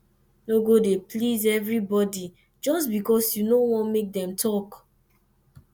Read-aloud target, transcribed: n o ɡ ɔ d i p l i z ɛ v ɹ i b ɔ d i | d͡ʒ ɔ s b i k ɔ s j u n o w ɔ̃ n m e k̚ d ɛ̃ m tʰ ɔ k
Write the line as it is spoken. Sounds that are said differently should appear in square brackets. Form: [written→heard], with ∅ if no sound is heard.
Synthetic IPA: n o ɡ [ɔ→o] d [i→e] p l i z ɛ v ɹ i b ɔ d i | d͡ʒ ɔ s b i k ɔ s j u n o w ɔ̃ n m e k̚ d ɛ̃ m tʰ ɔ k